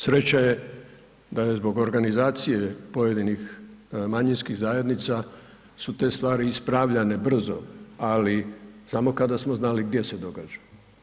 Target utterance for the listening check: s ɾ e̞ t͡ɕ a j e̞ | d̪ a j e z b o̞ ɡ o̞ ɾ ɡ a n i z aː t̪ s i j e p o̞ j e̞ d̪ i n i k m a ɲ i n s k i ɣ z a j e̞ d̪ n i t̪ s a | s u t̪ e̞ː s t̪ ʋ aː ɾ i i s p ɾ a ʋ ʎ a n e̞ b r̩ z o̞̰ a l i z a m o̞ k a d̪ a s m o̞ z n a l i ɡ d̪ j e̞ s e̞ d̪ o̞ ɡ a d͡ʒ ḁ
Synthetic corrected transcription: s ɾ e̞ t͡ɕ a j e̞ | d̪ a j e z b o̞ ɡ o̞ ɾ ɡ a n i z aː t̪ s i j e p o̞ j e̞ d̪ i n i x m a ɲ i n s k i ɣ z a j e̞ d̪ n i t̪ s a | s u t̪ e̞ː s t̪ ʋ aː ɾ i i s p ɾ a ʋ ʎ a n e̞ b r̩ z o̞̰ a l i s a m o̞ k a d̪ a s m o̞ z n a l i ɡ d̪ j e̞ s e̞ d̪ o̞ ɡ a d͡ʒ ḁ